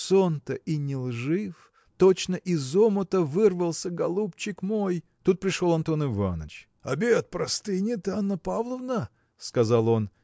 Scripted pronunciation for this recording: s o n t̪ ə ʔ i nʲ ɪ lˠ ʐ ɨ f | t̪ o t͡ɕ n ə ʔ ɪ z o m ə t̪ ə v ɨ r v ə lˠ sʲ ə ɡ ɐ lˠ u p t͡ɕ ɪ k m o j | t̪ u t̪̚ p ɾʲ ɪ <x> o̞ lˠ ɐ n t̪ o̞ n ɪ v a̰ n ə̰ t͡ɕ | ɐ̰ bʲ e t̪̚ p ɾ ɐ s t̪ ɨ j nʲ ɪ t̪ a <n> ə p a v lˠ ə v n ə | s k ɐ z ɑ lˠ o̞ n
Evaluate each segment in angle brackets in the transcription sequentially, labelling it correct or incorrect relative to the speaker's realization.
incorrect, incorrect

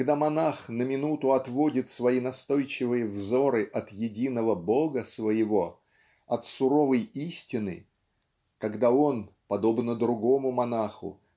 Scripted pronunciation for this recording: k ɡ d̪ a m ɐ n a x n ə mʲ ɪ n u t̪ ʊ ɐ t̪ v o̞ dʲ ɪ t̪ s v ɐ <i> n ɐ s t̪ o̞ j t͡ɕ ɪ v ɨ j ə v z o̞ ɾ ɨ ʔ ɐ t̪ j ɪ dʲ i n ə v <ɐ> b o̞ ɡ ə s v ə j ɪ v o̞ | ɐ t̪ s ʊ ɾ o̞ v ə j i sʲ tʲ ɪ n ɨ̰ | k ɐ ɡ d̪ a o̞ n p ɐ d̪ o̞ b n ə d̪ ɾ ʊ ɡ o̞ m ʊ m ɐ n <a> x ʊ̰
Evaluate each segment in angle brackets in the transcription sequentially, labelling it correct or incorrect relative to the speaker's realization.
correct, incorrect, correct

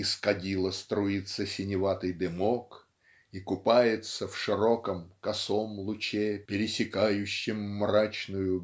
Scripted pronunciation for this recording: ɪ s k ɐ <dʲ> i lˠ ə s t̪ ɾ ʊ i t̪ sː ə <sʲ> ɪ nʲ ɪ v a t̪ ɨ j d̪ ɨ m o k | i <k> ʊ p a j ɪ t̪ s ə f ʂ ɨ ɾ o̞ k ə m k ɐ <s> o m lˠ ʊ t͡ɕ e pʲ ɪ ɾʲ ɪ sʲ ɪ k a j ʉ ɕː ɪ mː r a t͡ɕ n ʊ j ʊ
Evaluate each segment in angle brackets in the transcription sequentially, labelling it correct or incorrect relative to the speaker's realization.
correct, correct, correct, correct

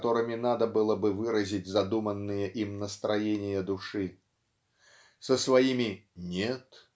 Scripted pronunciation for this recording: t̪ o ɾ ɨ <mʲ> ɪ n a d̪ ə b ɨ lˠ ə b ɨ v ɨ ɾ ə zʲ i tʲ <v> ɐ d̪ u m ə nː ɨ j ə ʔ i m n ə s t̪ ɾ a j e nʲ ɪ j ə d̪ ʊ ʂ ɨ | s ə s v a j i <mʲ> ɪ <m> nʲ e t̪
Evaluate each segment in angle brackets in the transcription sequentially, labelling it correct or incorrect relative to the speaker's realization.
correct, incorrect, correct, incorrect

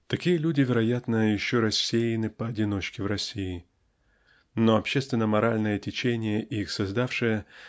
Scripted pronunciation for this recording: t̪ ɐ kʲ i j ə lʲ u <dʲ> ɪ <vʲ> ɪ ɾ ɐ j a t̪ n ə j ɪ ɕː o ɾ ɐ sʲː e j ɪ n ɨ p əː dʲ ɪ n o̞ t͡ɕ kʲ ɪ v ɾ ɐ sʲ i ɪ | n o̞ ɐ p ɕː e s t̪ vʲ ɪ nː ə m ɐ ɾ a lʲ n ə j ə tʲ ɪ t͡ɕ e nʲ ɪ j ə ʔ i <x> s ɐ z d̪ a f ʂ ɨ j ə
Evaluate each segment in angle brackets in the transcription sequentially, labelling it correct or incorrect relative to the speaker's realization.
correct, correct, correct

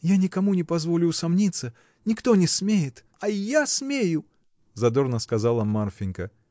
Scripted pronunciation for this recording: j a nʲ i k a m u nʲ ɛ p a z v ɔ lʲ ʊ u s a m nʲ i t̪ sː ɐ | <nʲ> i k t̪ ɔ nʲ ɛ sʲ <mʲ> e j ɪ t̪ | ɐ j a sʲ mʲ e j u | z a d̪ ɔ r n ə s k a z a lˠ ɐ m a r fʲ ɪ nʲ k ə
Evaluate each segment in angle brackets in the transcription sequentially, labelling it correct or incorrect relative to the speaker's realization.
correct, correct

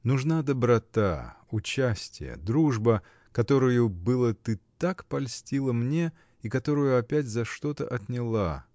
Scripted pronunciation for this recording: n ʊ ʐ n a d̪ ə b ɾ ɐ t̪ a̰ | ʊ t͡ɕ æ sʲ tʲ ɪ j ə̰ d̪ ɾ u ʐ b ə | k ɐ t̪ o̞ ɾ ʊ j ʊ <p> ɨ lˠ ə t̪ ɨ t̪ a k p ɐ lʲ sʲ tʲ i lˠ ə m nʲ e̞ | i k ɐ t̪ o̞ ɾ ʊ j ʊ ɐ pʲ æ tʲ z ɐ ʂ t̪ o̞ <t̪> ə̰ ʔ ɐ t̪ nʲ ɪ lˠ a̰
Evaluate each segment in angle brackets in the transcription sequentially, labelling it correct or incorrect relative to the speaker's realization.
incorrect, correct

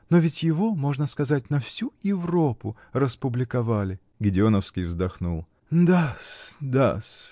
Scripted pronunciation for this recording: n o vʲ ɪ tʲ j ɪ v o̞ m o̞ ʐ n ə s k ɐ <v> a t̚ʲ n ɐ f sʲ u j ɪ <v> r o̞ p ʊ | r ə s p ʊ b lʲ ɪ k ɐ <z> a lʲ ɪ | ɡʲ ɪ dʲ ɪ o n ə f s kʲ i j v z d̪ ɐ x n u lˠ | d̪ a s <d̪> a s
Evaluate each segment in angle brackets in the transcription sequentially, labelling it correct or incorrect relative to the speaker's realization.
incorrect, correct, incorrect, correct

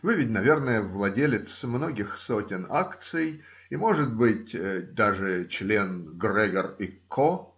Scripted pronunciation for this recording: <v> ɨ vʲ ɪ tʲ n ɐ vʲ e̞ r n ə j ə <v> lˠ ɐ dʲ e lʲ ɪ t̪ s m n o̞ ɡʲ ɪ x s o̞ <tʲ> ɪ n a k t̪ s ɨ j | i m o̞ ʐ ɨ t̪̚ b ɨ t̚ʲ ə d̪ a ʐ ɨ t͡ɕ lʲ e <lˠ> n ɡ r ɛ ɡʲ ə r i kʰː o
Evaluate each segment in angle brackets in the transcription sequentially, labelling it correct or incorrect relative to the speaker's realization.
correct, correct, correct, incorrect

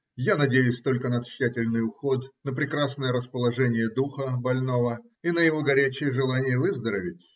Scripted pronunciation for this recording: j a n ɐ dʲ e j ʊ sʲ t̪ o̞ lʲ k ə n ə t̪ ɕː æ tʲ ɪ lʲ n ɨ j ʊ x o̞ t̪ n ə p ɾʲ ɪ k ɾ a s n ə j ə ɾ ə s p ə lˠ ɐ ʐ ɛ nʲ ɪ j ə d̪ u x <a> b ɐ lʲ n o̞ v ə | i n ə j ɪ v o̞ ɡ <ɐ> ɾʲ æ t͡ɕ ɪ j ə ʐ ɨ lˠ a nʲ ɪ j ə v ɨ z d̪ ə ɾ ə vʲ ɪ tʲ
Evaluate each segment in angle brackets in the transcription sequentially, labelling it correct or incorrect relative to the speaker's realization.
incorrect, correct

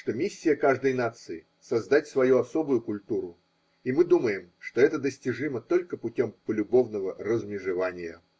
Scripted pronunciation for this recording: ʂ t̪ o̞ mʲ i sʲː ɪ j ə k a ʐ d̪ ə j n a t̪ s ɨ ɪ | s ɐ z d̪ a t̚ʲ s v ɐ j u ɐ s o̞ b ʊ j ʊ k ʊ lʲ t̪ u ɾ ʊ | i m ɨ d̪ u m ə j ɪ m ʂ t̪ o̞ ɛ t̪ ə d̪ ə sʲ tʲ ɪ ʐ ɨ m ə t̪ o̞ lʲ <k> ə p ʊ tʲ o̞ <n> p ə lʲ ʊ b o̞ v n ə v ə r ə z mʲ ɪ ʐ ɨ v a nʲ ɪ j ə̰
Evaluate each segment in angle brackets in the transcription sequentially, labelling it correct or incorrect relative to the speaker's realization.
correct, incorrect

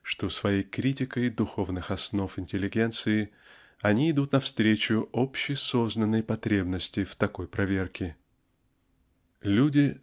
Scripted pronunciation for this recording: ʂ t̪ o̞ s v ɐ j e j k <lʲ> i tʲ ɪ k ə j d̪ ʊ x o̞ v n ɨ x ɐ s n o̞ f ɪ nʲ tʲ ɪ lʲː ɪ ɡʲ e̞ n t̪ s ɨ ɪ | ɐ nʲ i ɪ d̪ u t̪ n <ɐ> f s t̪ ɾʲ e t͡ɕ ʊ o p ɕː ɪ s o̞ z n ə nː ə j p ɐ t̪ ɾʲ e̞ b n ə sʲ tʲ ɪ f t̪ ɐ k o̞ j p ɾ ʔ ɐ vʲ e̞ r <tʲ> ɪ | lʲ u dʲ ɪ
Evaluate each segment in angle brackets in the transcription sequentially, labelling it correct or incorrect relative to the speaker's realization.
incorrect, correct, incorrect

